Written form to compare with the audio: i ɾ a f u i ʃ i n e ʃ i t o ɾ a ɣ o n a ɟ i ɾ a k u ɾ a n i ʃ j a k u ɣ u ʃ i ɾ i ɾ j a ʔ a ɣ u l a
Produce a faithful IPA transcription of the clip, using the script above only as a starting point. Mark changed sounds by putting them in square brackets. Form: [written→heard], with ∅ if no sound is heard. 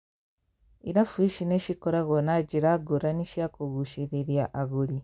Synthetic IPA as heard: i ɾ a f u i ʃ i n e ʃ i [t→k] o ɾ a ɣ o n a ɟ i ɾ a [k→ɡ] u ɾ a n i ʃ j a k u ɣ u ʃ i ɾ i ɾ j a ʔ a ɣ u l [a→i]